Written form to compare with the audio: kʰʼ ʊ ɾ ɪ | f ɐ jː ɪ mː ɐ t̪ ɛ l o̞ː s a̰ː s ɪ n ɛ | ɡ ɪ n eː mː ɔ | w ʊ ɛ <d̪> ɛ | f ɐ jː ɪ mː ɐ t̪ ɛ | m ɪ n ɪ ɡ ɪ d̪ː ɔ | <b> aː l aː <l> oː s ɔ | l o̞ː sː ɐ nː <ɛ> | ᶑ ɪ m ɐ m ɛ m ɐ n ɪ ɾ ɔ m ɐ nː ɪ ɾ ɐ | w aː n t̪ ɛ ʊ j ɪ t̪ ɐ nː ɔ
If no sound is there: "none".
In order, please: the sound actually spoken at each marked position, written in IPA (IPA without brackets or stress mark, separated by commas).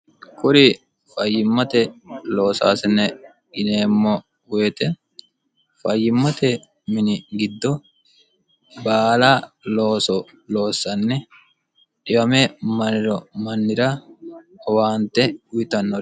t̪, b, l, ɛ